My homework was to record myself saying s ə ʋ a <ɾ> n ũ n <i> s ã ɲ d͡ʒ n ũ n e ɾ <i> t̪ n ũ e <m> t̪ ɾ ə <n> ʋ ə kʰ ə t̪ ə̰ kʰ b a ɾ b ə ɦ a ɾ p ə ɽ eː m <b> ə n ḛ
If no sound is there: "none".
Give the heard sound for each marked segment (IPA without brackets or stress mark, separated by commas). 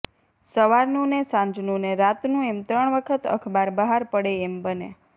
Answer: ɾ, e, a, m, ɳ, b